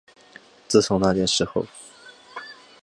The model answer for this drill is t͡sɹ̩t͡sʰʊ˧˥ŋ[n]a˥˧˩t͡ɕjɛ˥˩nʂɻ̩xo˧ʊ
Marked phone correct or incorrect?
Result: correct